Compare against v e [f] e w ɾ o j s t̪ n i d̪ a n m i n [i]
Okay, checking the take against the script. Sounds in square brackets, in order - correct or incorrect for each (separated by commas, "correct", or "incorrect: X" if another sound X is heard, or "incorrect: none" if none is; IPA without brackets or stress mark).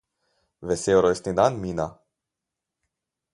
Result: incorrect: s, incorrect: a